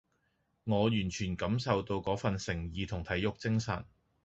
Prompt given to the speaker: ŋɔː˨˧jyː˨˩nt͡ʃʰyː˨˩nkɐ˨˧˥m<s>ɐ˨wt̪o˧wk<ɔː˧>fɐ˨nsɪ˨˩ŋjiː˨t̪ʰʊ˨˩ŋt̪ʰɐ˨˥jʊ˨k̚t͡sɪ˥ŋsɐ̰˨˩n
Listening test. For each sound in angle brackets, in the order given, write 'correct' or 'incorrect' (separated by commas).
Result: correct, incorrect